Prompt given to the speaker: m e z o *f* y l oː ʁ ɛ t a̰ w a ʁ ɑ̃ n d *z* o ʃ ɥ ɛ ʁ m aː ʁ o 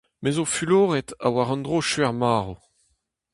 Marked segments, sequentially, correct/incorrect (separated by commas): correct, incorrect